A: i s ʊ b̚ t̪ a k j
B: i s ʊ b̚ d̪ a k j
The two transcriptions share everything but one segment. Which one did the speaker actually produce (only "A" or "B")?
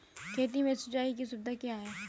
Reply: B